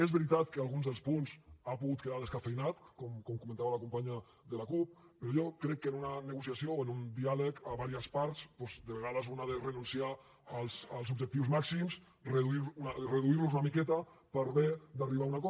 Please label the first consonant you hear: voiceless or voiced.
voiced